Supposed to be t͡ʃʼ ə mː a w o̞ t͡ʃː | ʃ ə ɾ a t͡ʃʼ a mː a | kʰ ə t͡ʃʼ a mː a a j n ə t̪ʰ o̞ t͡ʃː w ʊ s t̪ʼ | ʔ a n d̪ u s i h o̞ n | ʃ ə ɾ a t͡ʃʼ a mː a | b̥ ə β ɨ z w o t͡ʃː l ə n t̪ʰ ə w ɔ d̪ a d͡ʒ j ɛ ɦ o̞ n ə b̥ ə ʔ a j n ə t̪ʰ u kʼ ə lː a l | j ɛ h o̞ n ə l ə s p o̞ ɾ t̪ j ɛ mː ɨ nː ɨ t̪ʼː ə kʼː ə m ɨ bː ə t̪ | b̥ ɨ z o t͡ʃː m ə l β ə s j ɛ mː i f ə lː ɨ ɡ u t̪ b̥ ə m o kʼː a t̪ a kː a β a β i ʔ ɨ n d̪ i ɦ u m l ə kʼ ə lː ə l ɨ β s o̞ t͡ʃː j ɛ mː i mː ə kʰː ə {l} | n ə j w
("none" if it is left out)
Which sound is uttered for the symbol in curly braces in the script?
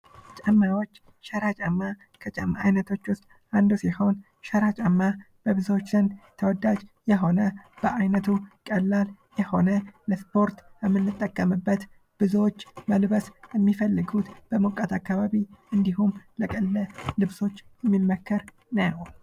ɾ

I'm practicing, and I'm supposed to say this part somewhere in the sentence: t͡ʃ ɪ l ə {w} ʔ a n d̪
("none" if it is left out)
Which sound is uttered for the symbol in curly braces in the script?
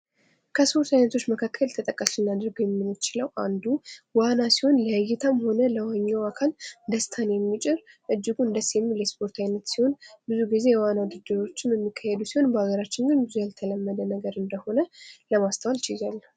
w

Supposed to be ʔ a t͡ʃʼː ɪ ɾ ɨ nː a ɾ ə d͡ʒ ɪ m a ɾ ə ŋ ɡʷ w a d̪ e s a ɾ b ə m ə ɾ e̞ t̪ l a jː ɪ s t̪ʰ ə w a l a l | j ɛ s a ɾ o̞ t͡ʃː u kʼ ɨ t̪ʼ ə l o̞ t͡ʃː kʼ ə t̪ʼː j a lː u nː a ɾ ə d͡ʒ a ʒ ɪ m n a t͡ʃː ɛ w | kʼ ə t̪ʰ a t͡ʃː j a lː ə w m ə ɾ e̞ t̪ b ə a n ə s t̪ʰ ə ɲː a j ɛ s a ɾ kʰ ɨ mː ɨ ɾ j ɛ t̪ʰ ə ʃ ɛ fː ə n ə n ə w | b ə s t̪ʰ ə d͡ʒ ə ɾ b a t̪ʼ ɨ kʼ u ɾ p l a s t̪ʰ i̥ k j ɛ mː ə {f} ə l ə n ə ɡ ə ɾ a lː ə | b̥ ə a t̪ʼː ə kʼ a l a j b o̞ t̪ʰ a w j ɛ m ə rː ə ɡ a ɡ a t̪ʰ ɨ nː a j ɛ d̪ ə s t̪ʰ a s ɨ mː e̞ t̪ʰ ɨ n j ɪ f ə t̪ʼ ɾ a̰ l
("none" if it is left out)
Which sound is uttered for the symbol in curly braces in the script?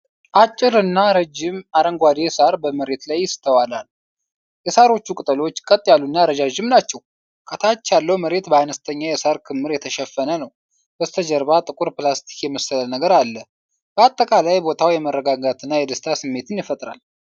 s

